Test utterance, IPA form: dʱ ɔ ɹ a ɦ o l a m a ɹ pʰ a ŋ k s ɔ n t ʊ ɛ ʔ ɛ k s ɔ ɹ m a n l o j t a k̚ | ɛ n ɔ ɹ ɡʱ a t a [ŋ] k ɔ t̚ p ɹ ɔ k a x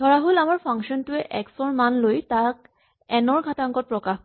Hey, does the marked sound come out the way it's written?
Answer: yes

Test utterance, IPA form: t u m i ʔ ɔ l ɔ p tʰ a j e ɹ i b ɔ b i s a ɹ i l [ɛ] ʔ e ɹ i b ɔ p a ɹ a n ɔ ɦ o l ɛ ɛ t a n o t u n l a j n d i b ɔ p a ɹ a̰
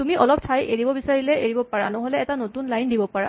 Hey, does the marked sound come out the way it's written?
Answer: yes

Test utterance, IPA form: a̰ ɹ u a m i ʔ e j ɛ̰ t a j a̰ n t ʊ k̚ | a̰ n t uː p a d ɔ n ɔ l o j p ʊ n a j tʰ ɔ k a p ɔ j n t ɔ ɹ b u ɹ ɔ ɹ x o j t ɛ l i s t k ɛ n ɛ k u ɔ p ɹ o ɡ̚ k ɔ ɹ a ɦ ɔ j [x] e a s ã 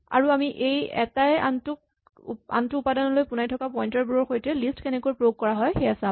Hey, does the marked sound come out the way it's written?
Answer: yes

